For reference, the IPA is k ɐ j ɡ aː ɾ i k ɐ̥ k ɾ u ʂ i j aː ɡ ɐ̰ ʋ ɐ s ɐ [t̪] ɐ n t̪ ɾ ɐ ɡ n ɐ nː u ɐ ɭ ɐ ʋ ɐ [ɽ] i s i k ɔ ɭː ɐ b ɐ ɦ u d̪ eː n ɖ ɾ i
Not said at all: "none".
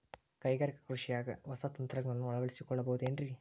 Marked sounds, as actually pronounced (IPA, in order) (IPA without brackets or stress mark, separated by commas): t̪, ɭ